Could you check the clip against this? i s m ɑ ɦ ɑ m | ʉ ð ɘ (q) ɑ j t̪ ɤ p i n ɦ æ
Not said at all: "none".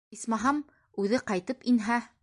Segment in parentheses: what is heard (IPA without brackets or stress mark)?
q